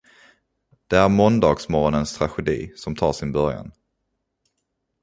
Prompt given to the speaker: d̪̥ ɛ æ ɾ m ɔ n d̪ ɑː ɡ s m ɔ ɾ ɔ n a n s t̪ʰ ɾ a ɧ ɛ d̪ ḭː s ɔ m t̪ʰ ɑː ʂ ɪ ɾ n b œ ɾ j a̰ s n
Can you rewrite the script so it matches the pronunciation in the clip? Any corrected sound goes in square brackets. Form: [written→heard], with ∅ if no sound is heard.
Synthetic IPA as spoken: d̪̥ ɛ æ ɾ m ɔ n d̪ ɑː ɡ s m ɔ ɾ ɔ n [a→ə] n s t̪ʰ ɾ a ɧ ɛ d̪ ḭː s ɔ m t̪ʰ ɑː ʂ ɪ [ɾ→∅] n b œ ɾ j a̰ [s→∅] n